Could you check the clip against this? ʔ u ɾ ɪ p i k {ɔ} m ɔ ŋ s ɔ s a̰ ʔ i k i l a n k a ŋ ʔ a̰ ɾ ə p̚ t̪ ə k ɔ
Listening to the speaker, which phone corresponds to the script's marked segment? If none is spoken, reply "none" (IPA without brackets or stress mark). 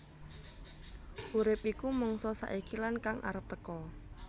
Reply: u